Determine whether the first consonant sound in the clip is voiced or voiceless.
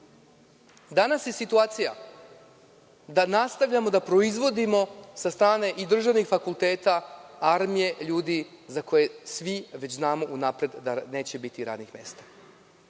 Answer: voiced